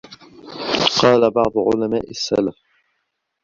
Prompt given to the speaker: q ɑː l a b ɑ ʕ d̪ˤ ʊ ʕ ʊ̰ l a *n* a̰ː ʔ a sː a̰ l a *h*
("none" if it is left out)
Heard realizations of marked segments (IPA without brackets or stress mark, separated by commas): m, f